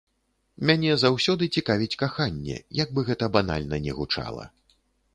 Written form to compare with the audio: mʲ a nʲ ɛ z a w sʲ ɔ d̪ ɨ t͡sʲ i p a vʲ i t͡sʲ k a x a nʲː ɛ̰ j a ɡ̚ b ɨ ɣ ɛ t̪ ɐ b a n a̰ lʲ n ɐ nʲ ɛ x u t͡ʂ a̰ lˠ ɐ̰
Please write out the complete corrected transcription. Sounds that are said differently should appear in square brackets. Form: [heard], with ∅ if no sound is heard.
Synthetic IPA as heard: mʲ a nʲ ɛ z a w sʲ ɔ d̪ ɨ t͡sʲ i [k] a vʲ i t͡sʲ k a x a nʲː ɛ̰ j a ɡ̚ b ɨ ɣ ɛ t̪ ɐ b a n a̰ lʲ n ɐ nʲ ɛ [ɣ] u t͡ʂ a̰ lˠ ɐ̰